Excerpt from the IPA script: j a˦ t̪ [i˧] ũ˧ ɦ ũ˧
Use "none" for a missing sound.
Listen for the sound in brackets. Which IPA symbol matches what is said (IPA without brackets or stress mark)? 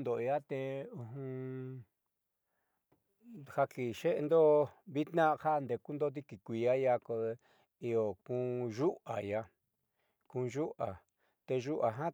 e˧